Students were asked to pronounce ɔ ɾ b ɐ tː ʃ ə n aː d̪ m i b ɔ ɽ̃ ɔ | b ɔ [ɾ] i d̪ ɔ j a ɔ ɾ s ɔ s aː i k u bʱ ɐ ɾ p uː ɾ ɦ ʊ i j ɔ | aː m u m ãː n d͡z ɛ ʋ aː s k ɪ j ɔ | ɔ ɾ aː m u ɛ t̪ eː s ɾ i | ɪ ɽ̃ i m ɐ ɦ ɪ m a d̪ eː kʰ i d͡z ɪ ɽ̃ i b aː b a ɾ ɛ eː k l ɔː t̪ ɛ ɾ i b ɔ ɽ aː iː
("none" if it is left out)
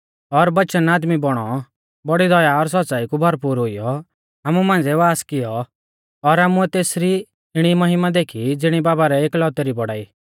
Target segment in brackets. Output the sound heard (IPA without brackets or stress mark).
ɽ